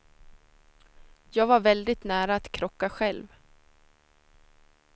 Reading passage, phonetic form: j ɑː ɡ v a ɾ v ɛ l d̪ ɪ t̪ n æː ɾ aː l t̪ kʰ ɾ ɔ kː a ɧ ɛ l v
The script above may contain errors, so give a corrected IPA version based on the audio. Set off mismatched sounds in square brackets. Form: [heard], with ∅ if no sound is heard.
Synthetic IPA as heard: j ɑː ɡ v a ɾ v ɛ l d̪ ɪ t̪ n æː ɾ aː [∅] t̪ kʰ ɾ ɔ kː a ɧ ɛ l v